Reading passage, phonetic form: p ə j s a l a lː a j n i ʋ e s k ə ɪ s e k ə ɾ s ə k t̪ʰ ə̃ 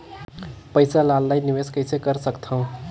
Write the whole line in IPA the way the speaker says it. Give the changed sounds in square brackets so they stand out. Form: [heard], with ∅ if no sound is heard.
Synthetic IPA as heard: p ə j s a l a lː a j n i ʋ e s k ə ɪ s e k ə ɾ s ə k t̪ʰ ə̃